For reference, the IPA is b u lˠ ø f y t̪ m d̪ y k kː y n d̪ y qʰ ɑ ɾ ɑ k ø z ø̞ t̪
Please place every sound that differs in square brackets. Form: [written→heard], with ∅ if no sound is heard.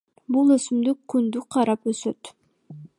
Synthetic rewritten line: b u lˠ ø [f→s] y [t̪→∅] m d̪ y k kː y n d̪ y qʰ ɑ ɾ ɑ [k→p] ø [z→s] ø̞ t̪